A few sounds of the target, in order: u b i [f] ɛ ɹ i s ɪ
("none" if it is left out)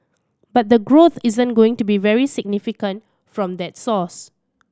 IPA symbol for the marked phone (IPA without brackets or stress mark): v